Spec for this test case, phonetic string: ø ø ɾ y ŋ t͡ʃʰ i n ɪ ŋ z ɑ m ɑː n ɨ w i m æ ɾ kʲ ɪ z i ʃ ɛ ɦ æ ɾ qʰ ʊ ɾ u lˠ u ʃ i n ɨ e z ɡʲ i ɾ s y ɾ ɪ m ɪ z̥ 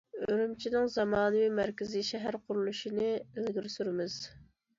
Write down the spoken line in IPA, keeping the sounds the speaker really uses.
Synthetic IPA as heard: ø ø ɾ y m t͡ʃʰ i n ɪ ŋ z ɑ m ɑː n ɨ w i m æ ɾ kʲ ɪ z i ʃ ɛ ɦ æ ɾ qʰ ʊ ɾ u lˠ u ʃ i n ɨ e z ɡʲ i ɾ s y ɾ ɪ m ɪ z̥